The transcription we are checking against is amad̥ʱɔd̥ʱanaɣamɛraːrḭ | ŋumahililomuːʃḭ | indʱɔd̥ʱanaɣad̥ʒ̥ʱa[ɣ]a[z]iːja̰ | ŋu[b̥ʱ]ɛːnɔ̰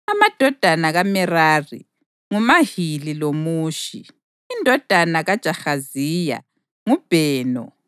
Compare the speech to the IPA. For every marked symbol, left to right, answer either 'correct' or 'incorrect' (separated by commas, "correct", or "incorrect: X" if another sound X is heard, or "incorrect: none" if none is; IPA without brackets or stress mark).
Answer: incorrect: x, correct, correct